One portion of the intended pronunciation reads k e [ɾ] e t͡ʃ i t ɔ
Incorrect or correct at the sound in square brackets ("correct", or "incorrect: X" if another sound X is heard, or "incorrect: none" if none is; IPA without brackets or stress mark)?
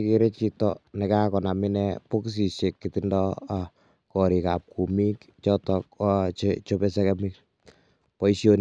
correct